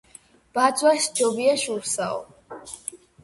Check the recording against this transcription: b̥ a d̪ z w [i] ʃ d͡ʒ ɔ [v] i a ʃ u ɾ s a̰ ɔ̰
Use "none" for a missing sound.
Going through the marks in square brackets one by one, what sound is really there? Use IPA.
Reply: a, b

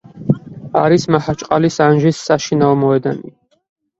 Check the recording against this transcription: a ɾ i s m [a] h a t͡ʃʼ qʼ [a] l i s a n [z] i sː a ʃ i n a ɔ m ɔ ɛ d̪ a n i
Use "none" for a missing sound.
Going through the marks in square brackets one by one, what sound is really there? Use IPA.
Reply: a, a, ʒ

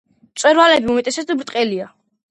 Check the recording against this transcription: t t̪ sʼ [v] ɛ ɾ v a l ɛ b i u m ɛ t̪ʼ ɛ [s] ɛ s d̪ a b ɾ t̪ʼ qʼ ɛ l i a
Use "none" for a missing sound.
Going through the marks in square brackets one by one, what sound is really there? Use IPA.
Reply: w, s

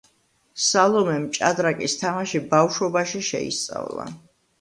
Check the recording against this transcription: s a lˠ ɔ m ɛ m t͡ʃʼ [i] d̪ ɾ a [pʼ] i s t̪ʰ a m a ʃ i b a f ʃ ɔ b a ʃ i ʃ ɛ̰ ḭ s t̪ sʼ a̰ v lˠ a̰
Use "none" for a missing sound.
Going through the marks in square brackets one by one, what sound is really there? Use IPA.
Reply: a, kʼ

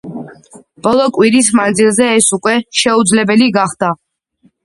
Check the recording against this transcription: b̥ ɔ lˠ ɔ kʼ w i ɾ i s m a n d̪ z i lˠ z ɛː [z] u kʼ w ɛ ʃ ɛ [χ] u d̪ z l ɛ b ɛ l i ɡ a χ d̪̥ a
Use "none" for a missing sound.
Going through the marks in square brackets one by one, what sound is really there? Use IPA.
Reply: s, none

